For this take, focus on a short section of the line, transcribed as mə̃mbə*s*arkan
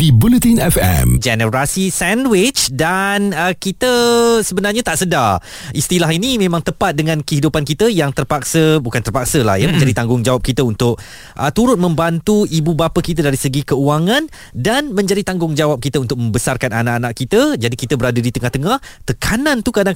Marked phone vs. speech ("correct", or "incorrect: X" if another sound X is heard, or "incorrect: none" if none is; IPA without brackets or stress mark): correct